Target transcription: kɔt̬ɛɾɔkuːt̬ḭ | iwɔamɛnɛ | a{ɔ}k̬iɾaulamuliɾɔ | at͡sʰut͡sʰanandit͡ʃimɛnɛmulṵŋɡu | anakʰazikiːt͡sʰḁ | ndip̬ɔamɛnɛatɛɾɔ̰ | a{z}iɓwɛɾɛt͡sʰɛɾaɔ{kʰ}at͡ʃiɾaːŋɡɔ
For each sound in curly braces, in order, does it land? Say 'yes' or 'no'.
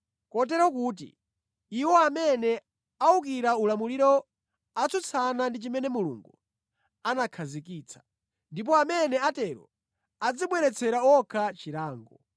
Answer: no, no, yes

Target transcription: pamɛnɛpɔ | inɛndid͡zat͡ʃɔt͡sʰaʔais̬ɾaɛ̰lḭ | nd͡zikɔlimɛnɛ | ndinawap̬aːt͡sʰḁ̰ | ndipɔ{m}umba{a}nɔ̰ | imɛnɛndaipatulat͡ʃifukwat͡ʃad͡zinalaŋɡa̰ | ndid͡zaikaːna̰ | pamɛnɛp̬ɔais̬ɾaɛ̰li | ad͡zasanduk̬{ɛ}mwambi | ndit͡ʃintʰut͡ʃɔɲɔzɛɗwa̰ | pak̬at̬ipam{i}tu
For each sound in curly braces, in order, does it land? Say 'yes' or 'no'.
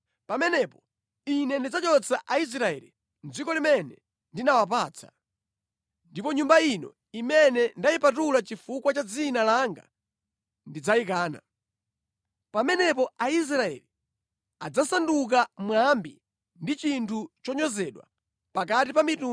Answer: no, no, no, yes

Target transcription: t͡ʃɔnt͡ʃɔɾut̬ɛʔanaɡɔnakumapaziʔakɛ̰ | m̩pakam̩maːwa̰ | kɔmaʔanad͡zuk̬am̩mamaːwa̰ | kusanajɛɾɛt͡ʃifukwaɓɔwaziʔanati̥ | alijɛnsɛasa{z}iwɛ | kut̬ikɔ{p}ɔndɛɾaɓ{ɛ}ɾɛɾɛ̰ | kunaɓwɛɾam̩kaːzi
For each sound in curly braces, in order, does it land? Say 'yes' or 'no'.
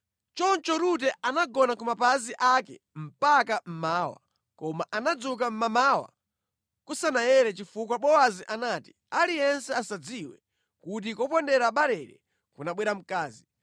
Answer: no, yes, no

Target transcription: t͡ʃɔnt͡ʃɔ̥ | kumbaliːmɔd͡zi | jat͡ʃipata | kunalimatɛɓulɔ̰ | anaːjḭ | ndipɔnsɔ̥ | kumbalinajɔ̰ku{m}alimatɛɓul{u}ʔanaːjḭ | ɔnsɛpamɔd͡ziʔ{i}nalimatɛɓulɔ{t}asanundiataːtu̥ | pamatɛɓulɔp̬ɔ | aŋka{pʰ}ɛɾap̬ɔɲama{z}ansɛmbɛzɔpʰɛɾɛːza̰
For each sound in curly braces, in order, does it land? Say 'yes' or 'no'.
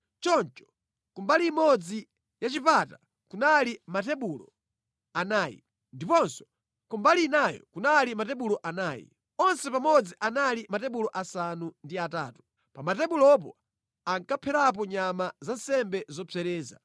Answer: no, no, no, no, yes, yes

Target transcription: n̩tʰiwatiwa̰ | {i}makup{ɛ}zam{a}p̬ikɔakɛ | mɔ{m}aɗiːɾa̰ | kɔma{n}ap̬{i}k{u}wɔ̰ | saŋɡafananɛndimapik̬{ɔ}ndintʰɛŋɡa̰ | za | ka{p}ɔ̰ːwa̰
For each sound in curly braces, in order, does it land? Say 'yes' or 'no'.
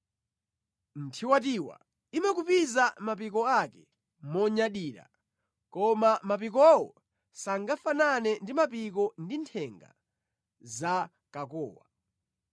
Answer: yes, no, yes, no, no, yes, no, yes, no

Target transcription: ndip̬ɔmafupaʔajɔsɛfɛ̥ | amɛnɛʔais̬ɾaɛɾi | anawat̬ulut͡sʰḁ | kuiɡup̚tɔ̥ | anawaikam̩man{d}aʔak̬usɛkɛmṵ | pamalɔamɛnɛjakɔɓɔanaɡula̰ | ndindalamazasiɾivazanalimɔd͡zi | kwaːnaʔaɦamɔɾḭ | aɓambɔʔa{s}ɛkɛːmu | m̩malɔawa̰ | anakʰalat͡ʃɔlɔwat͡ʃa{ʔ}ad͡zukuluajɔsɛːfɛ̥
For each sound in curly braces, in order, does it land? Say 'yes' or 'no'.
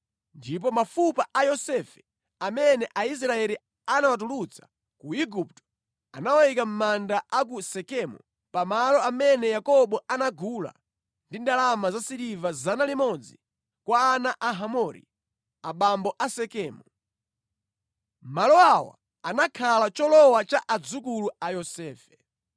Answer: yes, yes, yes

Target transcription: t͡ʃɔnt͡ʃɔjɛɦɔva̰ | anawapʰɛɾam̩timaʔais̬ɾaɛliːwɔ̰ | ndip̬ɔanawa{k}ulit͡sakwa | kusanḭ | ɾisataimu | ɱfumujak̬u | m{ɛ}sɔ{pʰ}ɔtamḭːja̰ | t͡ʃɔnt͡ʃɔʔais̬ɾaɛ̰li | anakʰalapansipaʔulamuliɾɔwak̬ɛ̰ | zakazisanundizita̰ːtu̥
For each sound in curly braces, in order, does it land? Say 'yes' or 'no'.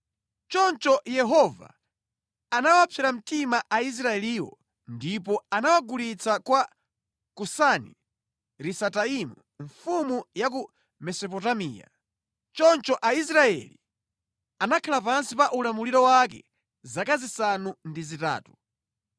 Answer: no, yes, no

